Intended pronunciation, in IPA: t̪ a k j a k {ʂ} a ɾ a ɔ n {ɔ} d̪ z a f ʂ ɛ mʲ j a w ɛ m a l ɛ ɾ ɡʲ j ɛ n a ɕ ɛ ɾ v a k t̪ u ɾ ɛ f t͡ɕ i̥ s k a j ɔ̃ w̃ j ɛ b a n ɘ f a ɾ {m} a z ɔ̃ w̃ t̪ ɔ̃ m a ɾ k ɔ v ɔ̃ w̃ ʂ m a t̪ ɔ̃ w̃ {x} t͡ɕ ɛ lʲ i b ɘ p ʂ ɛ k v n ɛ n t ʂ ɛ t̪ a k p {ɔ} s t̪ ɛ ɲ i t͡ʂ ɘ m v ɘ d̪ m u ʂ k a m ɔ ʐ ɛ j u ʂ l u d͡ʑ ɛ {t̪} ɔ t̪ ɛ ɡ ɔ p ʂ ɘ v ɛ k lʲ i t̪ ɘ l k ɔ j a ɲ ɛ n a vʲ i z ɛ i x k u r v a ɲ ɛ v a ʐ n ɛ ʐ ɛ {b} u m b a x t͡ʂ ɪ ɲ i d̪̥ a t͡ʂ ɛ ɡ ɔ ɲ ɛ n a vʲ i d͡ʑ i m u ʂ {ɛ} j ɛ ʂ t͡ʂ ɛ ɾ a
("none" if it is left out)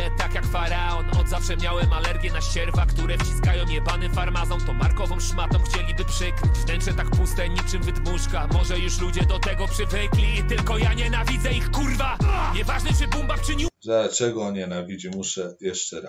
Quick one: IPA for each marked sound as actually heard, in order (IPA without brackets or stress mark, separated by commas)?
f, ɔ, m, x, u, d̪, b, ɛ